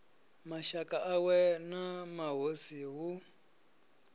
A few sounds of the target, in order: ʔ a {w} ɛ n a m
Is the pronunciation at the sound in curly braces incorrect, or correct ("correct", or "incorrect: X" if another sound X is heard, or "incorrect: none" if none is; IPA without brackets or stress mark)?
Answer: correct